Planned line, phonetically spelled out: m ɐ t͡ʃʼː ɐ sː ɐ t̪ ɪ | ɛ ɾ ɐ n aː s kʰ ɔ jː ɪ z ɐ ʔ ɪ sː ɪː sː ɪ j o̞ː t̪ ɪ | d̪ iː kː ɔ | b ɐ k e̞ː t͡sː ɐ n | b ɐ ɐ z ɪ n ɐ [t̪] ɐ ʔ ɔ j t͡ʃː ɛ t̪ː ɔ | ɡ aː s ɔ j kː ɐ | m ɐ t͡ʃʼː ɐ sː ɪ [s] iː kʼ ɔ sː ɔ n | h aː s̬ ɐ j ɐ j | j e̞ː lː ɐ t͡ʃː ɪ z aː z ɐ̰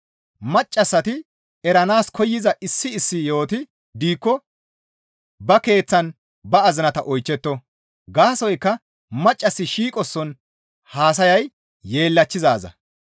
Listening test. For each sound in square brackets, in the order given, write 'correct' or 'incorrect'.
correct, incorrect

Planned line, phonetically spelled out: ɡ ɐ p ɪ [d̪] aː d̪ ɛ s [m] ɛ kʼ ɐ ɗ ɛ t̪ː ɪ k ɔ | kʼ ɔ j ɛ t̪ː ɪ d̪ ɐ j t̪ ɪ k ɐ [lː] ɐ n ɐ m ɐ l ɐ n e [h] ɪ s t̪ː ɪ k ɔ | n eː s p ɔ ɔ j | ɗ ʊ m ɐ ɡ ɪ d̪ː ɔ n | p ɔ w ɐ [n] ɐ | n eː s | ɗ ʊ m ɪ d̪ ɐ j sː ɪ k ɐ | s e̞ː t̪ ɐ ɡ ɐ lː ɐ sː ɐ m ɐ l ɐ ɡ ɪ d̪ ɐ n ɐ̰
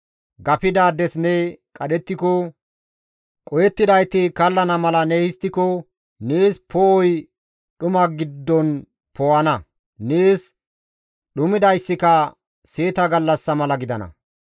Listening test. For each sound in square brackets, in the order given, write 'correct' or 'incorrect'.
correct, incorrect, correct, correct, correct

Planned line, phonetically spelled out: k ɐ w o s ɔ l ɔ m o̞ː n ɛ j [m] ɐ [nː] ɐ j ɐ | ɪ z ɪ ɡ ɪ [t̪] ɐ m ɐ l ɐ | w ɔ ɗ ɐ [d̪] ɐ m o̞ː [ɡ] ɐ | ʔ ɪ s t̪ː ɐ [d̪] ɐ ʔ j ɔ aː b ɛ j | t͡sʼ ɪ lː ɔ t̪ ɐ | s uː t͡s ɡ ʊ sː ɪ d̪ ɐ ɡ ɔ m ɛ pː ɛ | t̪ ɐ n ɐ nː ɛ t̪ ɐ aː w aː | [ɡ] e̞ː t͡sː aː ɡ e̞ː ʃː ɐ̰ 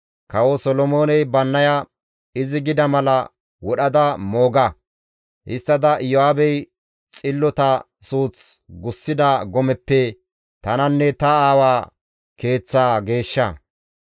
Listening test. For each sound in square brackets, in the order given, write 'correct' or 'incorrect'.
incorrect, correct, incorrect, correct, correct, correct, incorrect

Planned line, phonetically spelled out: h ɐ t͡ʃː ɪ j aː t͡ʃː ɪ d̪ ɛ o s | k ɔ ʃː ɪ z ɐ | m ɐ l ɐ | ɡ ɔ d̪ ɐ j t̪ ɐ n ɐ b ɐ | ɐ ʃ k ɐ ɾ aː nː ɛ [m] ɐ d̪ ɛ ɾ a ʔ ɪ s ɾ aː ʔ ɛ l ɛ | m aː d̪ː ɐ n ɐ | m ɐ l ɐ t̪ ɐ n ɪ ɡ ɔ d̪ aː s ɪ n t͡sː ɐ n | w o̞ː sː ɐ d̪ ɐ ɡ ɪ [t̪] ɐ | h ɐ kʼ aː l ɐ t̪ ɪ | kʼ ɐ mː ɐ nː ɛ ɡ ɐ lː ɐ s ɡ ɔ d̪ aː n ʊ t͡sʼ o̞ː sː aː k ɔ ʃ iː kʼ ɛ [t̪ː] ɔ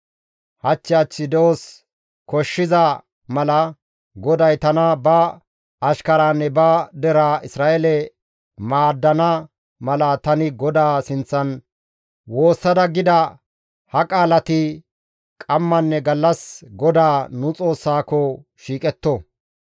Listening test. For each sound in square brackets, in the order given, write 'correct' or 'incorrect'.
incorrect, incorrect, correct

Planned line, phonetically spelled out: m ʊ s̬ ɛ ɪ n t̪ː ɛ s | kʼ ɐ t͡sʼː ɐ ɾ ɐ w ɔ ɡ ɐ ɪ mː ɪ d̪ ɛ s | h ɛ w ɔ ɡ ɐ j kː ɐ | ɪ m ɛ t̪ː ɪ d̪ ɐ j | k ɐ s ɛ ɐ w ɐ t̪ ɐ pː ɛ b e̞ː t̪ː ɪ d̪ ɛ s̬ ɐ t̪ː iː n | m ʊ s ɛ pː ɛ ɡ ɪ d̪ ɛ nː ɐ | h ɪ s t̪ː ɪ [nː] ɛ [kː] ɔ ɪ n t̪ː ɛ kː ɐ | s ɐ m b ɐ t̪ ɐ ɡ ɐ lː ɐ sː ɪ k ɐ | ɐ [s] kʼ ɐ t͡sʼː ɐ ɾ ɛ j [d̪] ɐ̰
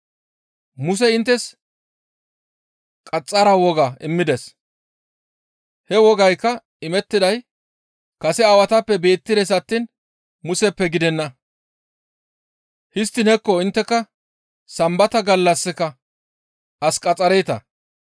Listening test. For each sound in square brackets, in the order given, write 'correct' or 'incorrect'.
incorrect, correct, correct, incorrect

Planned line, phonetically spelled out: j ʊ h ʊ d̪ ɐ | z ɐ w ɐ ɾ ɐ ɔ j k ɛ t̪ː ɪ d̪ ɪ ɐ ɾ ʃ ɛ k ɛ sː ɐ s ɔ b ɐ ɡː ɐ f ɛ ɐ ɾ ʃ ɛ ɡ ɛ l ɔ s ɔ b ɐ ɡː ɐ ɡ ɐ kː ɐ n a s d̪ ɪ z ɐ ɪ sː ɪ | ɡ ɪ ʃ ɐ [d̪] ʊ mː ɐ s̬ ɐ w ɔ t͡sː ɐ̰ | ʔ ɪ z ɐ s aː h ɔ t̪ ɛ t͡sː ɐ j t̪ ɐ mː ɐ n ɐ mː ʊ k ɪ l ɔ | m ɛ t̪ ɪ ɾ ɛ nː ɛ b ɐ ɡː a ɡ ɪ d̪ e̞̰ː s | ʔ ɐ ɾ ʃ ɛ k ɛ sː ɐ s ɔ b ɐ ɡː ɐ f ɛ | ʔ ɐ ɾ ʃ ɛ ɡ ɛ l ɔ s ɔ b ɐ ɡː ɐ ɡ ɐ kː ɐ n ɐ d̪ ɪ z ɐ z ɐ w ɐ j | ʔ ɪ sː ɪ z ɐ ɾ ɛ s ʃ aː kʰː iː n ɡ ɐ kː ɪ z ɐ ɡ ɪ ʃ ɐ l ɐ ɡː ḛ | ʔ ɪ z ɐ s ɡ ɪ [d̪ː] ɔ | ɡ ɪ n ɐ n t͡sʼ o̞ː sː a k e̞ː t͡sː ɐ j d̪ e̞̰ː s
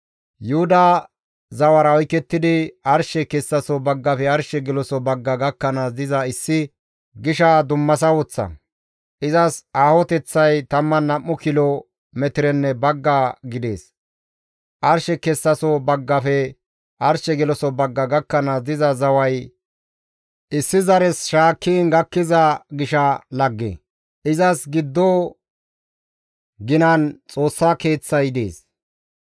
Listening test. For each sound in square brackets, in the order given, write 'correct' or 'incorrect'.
correct, correct

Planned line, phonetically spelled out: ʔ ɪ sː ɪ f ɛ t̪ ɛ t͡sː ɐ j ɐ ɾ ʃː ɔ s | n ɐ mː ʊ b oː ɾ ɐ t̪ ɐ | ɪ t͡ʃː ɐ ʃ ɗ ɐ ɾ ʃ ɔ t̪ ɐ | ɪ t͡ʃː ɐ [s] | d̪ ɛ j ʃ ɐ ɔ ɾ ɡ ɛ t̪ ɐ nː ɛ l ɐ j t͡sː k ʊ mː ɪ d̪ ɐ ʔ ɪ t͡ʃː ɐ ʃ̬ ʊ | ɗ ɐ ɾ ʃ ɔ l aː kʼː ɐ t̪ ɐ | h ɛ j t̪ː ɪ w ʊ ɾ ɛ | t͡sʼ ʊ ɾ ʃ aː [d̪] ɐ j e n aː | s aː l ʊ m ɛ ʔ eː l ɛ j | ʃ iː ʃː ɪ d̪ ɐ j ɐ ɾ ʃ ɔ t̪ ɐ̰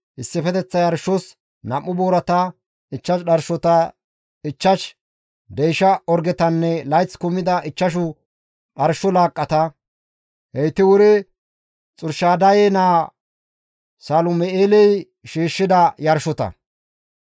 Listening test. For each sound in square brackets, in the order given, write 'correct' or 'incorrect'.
incorrect, correct

